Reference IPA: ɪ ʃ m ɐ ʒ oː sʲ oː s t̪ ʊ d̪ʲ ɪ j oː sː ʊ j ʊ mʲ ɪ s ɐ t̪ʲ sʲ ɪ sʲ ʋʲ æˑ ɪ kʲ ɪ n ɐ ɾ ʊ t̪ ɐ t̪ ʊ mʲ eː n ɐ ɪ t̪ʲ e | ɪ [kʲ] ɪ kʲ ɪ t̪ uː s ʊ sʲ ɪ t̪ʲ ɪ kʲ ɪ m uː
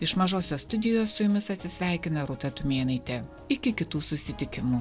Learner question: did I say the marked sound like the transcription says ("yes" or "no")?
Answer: yes